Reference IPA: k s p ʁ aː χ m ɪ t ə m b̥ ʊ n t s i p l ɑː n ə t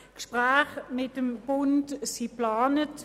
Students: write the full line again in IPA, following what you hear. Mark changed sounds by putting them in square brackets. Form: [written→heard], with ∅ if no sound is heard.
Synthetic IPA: k [s→ʃ] p ʁ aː χ m ɪ t ə m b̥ ʊ n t s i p l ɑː n ə t